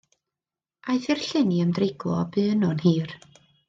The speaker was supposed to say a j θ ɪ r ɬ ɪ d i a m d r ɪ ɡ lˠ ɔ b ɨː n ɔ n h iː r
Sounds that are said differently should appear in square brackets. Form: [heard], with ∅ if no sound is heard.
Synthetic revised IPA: a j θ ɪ r ɬ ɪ [n] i [ə] m d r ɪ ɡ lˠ ɔ b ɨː n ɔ n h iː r